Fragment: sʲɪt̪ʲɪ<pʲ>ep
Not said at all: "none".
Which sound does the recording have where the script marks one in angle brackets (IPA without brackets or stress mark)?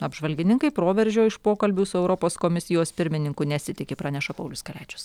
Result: kʲ